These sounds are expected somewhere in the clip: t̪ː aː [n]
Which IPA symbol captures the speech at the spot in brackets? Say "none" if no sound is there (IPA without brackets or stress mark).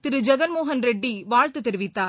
none